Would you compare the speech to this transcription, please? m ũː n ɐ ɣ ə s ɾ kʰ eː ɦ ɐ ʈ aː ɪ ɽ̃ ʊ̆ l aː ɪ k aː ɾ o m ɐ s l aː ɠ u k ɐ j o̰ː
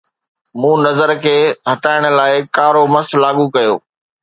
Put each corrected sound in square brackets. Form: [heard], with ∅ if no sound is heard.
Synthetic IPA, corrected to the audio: m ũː n ɐ [z] ə [∅] ɾ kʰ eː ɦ ɐ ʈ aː ɪ ɽ̃ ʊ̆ l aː ɪ k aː ɾ o m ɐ s l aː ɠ u k ɐ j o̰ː